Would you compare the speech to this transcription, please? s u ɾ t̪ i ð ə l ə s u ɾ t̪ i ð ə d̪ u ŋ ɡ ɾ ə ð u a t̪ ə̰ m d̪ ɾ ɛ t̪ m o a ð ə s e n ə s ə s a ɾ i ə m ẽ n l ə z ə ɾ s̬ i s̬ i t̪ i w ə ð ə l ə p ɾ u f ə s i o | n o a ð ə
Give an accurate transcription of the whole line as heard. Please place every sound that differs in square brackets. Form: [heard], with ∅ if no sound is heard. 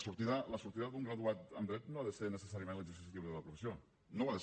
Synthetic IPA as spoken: s u ɾ t̪ i ð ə l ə s u ɾ t̪ i ð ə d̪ u ŋ ɡ ɾ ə ð u a t̪ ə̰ m d̪ ɾ ɛ t̪ [n] o a ð ə s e n ə s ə s a ɾ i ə m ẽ n l ə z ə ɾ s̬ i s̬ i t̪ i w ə ð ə l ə p ɾ u f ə s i o | n o a ð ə